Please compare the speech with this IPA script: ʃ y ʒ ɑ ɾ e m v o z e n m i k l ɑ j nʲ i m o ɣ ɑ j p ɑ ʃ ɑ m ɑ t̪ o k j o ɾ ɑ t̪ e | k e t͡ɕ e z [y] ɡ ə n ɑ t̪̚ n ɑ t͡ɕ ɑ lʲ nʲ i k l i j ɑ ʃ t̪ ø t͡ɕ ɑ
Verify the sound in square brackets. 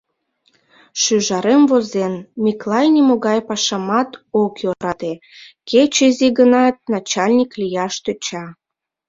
incorrect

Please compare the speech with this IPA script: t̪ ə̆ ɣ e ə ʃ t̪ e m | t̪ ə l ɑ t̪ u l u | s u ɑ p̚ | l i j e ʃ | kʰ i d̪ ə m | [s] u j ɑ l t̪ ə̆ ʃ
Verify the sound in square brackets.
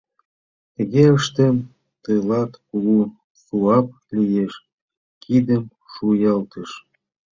incorrect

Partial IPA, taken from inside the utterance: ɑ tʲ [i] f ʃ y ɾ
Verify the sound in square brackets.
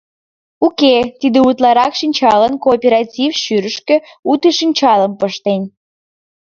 correct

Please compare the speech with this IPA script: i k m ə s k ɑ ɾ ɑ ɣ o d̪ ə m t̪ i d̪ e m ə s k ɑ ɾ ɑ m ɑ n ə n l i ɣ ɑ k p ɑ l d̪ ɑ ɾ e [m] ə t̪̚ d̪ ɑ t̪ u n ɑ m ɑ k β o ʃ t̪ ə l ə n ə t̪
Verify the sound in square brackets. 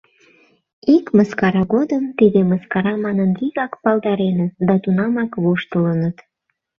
incorrect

